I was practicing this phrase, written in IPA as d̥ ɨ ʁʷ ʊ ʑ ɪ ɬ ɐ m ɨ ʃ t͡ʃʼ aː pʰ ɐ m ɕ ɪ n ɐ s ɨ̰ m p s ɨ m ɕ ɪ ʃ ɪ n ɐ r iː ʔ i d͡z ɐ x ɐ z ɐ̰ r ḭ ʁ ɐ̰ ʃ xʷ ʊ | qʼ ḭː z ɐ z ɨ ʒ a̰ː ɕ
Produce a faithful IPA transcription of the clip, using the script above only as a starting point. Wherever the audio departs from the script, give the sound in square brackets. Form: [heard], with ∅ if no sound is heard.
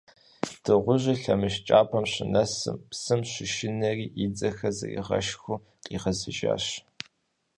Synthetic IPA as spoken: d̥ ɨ ʁʷ ʊ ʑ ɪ ɬ ɐ m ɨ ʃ t͡ʃʼ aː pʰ ɐ m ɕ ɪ n ɐ s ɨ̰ m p s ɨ m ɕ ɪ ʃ ɪ n ɐ r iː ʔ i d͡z ɐ x ɐ z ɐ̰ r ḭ ʁ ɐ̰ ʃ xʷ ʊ | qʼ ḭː [ʁ] ɐ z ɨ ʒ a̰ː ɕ